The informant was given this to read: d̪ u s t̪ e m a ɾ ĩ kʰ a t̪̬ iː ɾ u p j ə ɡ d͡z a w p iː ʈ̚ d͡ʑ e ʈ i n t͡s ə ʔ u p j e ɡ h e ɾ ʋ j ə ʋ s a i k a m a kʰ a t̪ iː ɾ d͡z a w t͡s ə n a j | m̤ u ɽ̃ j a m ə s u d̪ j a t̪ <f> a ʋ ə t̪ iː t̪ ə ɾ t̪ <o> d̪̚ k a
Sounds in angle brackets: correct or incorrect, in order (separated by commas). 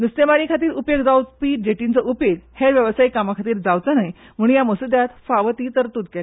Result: correct, incorrect